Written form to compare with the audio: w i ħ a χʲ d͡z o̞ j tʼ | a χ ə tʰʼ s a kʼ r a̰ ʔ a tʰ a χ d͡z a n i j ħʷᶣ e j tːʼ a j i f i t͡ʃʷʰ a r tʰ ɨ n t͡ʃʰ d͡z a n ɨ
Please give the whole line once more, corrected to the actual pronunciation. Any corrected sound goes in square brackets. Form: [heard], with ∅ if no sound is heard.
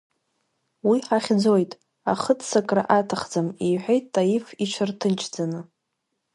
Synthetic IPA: w i ħ a χʲ d͡z o̞ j tʼ | a χ ə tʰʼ s a kʼ r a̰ ʔ a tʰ a χ d͡z a [m] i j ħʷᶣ e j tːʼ a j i f i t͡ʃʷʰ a r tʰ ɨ n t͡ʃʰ d͡z a n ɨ